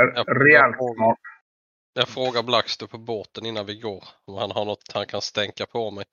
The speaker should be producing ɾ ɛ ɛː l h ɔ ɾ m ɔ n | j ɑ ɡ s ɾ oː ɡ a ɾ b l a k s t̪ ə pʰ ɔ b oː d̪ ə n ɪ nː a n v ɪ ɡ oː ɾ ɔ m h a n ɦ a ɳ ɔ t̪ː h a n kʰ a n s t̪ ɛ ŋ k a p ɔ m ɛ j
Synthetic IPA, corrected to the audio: ɾ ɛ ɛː l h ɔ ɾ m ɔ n | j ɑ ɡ f ɾ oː ɡ a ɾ b l a k s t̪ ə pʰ ɔ b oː t̪ ə n ɪ nː a n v ɪ ɡ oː ɾ ɔ m h a n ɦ a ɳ ɔ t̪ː h a n kʰ a n s t̪ ɛ ŋ k a pʰ ɔ m ɛ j